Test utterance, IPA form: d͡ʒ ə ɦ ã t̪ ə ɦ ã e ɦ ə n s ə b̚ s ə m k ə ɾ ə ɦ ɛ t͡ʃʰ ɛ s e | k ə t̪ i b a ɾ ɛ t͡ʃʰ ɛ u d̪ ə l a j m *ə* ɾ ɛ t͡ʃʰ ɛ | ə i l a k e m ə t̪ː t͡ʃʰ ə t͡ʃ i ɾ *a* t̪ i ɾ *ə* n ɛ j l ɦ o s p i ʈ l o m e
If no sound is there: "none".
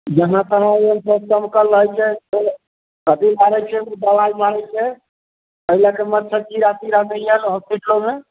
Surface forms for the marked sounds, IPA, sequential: a, a, a

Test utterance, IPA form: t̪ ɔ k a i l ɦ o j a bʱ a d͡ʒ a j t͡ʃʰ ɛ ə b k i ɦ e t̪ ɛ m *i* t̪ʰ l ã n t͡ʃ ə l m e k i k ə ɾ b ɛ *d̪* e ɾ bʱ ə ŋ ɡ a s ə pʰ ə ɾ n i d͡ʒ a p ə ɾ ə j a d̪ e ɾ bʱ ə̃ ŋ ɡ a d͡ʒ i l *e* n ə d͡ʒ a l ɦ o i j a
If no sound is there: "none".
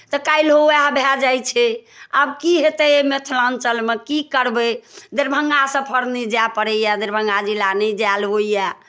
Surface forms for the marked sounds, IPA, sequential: e, d̪, a

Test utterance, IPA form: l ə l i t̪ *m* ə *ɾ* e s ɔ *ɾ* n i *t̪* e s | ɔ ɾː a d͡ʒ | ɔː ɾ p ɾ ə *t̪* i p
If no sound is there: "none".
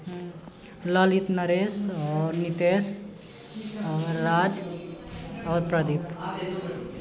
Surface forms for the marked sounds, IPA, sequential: n, ɾ, ɾ, t̪, d̪

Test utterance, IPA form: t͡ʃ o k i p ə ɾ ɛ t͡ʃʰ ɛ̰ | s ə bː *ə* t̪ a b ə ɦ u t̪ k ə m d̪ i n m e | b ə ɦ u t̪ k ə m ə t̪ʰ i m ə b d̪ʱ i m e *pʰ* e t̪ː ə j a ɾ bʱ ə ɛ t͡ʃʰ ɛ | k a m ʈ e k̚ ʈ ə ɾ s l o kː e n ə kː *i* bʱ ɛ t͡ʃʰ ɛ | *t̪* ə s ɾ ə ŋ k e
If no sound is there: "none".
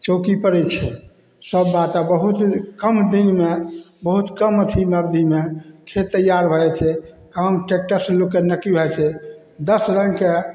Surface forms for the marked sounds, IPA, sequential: a, kʰ, i, d̪

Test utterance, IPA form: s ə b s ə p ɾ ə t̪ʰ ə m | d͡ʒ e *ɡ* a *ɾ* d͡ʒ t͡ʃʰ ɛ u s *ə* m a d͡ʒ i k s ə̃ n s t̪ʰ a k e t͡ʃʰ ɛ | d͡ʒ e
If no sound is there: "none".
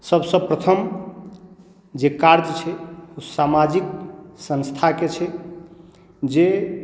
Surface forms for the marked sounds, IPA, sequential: k, ɾ, a

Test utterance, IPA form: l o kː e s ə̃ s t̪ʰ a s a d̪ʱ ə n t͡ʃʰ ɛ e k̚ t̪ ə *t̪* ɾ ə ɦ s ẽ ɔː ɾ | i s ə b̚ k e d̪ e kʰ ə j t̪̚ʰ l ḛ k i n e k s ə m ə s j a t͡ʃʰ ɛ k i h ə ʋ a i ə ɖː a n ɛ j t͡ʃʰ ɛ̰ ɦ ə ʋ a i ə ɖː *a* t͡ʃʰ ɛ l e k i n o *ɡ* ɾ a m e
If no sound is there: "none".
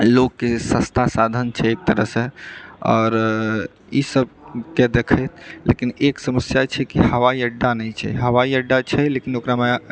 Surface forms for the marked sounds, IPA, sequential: none, a, k

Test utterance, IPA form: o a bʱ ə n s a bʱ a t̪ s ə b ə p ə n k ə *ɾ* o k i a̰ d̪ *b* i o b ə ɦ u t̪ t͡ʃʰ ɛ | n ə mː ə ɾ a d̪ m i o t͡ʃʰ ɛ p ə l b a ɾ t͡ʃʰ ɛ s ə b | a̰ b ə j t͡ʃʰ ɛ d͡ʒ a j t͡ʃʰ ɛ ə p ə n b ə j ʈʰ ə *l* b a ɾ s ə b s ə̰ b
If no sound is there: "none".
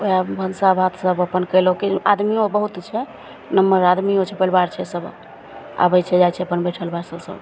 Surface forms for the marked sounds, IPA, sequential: l, m, l

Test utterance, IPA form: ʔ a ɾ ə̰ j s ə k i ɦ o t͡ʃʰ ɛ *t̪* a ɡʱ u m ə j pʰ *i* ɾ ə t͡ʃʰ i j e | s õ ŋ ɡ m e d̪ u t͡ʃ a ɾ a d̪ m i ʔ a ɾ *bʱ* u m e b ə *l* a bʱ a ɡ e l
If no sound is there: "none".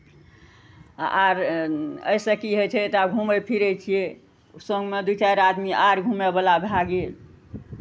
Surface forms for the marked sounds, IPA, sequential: t̪, i, ɡʱ, l

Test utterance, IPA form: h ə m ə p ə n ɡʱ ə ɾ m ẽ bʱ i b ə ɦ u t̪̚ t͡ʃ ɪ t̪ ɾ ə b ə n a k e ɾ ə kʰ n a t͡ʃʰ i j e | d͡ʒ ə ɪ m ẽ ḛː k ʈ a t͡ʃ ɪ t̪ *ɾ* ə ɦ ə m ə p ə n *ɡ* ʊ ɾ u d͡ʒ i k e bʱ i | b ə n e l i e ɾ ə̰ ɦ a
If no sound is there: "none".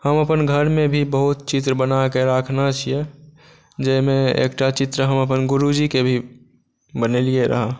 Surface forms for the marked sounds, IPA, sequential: ɾ, ɡ

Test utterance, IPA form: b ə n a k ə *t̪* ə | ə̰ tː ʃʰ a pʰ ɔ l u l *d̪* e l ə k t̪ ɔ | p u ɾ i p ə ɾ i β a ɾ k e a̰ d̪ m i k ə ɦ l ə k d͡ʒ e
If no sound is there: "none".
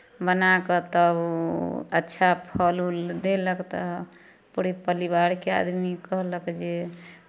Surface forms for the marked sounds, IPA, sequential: t̪, d̪

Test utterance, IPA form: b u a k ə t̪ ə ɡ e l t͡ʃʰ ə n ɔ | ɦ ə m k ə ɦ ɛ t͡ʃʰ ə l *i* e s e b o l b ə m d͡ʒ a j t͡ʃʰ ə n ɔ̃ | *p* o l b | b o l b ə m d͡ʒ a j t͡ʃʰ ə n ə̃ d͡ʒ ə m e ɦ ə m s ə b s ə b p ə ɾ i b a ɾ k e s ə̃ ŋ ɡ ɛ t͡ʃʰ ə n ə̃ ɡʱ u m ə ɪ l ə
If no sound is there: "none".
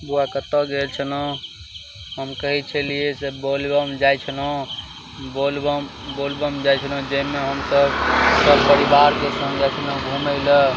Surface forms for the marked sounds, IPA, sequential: i, b

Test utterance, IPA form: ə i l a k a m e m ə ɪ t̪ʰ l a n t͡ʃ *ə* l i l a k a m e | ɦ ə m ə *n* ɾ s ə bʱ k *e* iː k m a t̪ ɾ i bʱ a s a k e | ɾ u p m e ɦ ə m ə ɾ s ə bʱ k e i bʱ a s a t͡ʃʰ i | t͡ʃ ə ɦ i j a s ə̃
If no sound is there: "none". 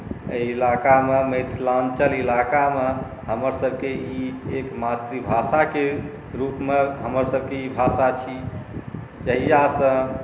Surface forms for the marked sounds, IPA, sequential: ə, none, e

